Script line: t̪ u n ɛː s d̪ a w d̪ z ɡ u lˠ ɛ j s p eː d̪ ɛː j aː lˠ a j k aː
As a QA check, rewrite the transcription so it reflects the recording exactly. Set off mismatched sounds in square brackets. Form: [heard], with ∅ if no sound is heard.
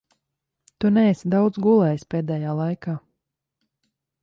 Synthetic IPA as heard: t̪ u n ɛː s d̪ a w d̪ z ɡ u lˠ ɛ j s p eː d̪ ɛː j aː lˠ a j k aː